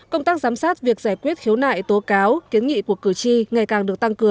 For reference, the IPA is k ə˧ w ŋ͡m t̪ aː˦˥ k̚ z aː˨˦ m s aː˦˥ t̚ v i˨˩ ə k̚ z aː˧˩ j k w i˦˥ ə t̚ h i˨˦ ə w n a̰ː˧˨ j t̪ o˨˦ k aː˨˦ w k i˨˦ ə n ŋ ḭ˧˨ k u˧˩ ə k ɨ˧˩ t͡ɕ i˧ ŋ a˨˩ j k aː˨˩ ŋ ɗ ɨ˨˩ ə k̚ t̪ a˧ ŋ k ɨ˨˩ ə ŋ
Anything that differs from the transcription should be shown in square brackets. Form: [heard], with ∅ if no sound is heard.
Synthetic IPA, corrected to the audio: k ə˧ w ŋ͡m t̪ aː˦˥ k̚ z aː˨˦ m s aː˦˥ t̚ v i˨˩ ə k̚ z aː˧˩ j k w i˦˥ ə t̚ h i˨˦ ə w n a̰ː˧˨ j t̪ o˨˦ k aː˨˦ w k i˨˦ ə n ŋ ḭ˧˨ k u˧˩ ə k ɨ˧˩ t͡ɕ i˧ ŋ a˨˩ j k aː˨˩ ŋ ɗ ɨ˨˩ ə k̚ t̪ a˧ ŋ k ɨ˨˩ ə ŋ